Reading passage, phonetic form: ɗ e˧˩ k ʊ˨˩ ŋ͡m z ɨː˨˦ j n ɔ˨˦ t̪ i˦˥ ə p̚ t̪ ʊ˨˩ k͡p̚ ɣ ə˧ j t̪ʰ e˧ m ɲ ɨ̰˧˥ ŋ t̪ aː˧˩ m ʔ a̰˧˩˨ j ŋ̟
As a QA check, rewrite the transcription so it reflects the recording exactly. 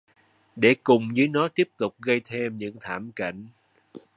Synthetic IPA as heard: ɗ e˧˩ k ʊ˨˩ ŋ͡m z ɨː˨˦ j n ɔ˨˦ t̪ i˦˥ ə p̚ t̪ ʊ˨˩ k͡p̚ ɣ ə˧ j t̪ʰ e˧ m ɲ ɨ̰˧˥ ŋ t̪ʰ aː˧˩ m k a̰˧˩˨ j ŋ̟